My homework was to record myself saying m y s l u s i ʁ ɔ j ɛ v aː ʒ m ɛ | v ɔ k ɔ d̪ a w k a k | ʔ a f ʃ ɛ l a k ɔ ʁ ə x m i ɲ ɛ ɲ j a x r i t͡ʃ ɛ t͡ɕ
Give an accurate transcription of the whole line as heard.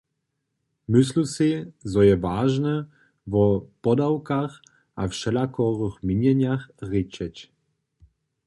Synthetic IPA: m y s l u s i z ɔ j ɛ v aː ʒ n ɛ | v ɔ p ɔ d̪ a w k a x | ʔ a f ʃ ɛ l a k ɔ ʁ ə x m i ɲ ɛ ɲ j a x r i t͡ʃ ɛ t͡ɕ